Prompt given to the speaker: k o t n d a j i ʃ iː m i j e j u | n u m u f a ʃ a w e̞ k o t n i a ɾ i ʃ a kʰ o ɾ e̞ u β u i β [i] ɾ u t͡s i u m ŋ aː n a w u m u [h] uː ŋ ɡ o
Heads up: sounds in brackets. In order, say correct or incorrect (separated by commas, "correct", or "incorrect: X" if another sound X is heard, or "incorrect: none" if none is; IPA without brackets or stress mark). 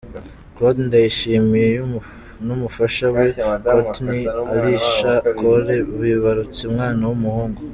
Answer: incorrect: a, correct